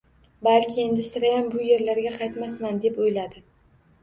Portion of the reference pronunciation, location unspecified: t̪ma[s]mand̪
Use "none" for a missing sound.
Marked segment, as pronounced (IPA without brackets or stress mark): s